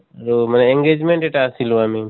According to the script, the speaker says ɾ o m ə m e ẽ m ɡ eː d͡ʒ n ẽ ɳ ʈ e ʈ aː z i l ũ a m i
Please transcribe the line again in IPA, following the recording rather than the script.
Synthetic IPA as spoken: ɾ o m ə n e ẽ ŋ ɡ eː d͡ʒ m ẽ ɳ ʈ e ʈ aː s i l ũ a m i